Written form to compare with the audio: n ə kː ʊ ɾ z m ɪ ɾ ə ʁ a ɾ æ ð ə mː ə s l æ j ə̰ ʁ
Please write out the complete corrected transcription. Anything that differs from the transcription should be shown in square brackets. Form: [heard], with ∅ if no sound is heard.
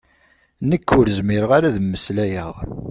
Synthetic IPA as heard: n ə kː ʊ ɾ z m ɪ ɾ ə ʁ a ɾ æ ð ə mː ə s l æ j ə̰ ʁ